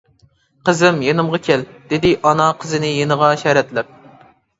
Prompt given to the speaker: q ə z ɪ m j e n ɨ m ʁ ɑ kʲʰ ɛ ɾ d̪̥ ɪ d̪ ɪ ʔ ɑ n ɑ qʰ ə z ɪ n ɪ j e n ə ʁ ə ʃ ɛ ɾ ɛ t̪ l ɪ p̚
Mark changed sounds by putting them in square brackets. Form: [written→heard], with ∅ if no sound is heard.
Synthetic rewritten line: q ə z ɪ m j e n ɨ m ʁ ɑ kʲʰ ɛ [ɾ→l] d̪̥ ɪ d̪ ɪ ʔ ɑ n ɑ qʰ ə z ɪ n ɪ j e n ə ʁ [ə→ɑ] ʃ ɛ ɾ ɛ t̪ l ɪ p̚